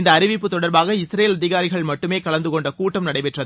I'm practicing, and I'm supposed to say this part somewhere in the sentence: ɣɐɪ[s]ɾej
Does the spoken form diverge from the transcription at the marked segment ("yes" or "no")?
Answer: no